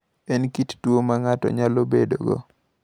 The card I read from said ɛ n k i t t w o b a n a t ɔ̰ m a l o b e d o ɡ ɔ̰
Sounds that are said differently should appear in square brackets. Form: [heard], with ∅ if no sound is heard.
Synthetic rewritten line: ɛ n k i t t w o [m] a [ŋ] a t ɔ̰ [ɲ] a l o b e d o ɡ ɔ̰